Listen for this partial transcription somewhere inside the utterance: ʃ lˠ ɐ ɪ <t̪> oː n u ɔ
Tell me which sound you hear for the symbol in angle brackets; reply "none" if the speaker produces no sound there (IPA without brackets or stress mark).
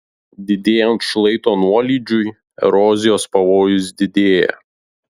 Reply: t̪